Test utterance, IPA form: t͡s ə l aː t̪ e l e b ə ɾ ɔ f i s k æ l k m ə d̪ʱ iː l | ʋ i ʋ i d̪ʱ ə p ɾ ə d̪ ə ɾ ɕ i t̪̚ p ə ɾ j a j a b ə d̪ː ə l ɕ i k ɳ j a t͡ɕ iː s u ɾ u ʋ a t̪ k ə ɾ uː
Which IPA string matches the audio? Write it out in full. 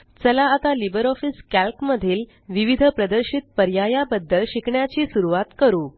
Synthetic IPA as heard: t͡s ə l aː t̪ a l i b ə ɾ ɔ f i s k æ l k m ə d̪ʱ iː l | ʋ i ʋ i d̪ʱ ə p ɾ ə d̪ ə ɾ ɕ i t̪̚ p ə ɾ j a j a b ə d̪ː ə l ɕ i k ɳ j a t͡ɕ iː s u ɾ u ʋ a t̪ k ə ɾ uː